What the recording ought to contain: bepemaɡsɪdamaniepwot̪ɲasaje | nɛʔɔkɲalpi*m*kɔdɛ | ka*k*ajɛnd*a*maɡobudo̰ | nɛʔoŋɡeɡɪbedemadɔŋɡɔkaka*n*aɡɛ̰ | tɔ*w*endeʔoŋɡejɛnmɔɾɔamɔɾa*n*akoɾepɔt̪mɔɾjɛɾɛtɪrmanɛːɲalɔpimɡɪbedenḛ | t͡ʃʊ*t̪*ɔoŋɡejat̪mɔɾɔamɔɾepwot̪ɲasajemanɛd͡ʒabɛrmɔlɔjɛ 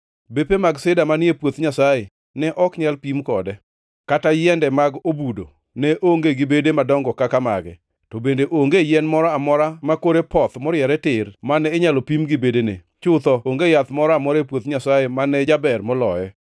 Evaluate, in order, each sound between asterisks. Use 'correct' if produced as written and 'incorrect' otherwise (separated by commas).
correct, incorrect, incorrect, incorrect, incorrect, incorrect, correct